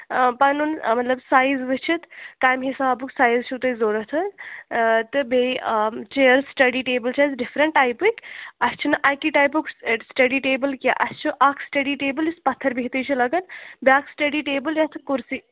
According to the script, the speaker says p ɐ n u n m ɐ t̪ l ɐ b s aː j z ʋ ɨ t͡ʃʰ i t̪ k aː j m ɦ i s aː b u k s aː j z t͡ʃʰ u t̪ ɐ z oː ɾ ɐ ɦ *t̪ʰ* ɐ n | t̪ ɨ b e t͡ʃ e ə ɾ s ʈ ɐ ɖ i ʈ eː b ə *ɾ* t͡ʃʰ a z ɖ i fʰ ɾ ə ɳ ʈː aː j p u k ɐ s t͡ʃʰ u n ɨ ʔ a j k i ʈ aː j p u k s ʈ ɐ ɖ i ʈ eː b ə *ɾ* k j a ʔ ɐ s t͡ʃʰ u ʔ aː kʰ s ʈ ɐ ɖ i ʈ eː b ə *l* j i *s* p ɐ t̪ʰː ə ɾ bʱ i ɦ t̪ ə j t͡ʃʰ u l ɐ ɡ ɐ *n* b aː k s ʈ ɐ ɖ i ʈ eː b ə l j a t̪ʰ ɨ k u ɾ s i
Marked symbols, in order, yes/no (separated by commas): yes, no, no, yes, yes, yes